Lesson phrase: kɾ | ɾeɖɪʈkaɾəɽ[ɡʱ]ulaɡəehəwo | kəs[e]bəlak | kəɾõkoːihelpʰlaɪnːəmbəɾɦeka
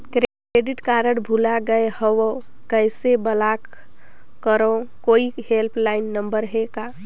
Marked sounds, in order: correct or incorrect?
incorrect: bʱ, correct

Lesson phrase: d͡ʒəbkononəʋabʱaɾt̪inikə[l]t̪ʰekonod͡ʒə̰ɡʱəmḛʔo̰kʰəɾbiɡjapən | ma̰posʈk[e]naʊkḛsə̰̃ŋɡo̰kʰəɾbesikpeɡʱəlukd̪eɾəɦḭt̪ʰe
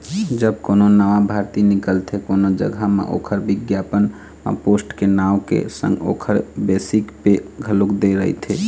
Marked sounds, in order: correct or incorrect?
correct, correct

